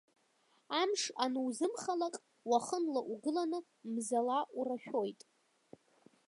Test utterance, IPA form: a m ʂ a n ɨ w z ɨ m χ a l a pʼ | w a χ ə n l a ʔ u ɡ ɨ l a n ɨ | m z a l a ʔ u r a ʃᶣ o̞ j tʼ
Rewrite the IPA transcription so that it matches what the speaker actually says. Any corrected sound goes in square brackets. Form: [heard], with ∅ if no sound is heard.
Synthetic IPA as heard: a m ʂ a n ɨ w z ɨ m χ a l a [kʼ] | w a χ ə n l a ʔ u ɡ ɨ l a n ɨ | m z a l a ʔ u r a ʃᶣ o̞ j tʼ

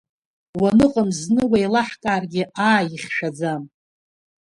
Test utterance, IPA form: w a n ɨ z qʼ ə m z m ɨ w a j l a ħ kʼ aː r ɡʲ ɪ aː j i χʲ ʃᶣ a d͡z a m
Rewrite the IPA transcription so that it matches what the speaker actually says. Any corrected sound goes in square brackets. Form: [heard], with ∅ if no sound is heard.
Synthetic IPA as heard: w a n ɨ [∅] qʼ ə m z [n] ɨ w a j l a ħ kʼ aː r ɡʲ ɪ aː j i χʲ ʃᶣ a d͡z a m

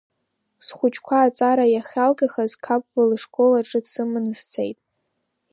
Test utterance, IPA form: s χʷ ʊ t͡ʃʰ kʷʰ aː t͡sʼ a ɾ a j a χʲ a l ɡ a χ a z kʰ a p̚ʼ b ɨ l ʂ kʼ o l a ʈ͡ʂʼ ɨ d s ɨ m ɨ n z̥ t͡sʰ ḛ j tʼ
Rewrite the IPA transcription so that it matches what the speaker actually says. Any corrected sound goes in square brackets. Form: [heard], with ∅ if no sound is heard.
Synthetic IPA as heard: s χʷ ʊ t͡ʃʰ kʷʰ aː t͡sʼ a ɾ a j a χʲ a l ɡ a χ a z kʰ a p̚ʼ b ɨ l ʂ kʼ o l a ʈ͡ʂʼ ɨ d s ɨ m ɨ n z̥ t͡sʰ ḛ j tʼ

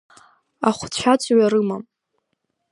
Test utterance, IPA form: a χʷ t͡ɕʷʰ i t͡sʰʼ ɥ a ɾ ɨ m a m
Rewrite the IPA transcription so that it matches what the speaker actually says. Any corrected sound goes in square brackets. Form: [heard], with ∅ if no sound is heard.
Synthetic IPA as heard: a χʷ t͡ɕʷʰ [a] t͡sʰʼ ɥ a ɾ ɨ m a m

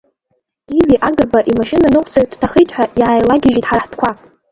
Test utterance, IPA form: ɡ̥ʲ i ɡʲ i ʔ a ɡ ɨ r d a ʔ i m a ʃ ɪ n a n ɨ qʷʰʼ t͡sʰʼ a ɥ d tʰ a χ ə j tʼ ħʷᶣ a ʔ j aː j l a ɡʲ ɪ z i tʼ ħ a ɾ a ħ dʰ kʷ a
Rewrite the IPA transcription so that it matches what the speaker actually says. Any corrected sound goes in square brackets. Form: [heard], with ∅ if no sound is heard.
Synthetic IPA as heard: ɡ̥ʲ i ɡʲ i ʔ a ɡ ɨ r [b] a ʔ i m a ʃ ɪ n a n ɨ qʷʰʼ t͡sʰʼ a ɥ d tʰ a χ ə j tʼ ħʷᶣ a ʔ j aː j l a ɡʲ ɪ [ʒ] i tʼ ħ a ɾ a ħ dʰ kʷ a

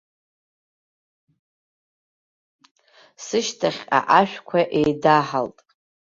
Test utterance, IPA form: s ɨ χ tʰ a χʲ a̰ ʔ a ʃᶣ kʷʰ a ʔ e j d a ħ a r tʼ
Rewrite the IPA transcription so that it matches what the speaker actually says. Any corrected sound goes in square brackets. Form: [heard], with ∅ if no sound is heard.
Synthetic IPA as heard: s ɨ [ʃ] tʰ a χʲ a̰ ʔ a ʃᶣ kʷʰ a ʔ e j d a ħ a [l] tʼ

